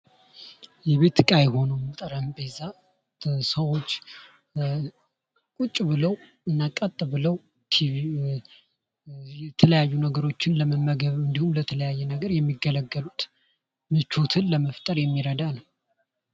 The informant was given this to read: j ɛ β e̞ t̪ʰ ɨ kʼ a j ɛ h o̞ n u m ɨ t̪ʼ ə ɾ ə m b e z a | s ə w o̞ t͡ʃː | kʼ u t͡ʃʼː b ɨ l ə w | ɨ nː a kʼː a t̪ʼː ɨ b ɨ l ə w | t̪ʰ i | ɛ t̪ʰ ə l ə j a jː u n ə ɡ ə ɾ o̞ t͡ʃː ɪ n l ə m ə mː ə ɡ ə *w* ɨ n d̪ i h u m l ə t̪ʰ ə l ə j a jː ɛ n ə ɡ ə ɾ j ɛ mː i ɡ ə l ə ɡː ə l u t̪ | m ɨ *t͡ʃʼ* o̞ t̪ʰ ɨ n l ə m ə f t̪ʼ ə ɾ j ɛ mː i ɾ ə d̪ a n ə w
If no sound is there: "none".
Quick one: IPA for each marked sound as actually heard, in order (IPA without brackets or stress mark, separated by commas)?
β, t͡ʃ